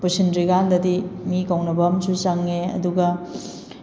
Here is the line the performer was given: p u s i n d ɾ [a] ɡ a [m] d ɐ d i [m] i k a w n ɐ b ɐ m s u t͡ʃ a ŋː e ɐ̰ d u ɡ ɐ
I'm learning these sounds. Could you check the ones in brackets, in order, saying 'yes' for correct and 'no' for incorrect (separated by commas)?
no, no, yes